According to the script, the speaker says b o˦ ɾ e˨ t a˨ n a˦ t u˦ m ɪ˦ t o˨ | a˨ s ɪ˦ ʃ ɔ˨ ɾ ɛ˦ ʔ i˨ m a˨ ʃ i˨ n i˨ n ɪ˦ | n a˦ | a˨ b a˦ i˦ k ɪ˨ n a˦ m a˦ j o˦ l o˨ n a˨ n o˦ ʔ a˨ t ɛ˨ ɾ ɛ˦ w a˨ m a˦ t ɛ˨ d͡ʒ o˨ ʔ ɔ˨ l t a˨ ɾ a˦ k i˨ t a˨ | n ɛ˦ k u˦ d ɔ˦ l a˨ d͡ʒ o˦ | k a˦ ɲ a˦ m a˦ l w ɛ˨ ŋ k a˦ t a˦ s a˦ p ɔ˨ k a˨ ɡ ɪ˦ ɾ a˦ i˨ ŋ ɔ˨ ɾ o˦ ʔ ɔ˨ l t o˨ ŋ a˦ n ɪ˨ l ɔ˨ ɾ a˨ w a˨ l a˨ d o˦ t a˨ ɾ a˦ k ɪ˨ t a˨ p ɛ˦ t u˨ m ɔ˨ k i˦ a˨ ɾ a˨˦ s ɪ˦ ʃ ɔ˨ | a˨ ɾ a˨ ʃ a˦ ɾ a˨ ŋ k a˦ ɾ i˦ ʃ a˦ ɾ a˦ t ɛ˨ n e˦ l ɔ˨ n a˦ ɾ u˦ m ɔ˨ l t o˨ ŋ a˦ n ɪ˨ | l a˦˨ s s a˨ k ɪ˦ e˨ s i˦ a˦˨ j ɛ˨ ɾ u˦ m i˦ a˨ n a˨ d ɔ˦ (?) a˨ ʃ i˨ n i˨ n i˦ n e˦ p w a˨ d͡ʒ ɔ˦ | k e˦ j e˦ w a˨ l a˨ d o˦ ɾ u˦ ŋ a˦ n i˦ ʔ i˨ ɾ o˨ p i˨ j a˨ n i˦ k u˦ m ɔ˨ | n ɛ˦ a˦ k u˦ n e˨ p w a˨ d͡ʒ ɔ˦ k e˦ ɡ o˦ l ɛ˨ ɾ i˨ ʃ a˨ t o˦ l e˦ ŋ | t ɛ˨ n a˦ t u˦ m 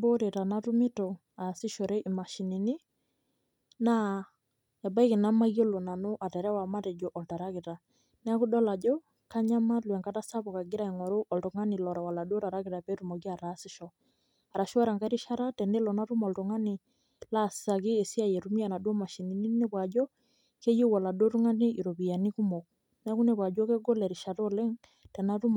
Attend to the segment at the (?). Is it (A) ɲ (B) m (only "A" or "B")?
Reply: B